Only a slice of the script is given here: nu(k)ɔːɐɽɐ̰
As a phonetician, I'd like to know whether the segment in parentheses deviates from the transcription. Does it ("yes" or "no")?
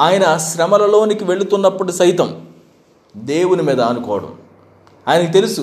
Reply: no